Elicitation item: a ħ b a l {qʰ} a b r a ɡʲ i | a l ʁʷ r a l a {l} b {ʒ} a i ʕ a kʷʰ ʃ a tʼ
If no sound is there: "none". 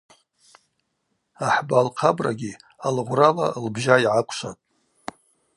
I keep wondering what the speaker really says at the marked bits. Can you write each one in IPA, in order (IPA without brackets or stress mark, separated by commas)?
qʰ, l, ʒ